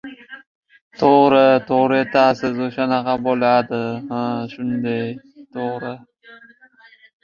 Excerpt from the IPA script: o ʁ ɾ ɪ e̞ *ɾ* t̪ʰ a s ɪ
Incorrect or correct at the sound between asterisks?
incorrect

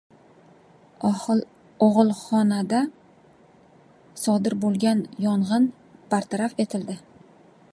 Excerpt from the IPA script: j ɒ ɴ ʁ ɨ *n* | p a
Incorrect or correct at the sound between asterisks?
correct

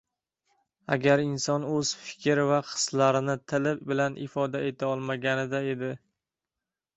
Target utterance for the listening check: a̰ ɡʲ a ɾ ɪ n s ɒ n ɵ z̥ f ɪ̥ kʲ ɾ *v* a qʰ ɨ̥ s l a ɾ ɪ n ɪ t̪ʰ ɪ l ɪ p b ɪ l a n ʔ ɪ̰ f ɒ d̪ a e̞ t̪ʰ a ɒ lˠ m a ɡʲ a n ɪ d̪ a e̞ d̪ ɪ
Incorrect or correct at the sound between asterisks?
correct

